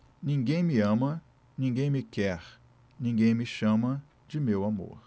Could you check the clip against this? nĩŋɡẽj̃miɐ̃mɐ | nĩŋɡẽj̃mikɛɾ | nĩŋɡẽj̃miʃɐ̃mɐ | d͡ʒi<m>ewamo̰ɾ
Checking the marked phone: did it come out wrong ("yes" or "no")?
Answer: no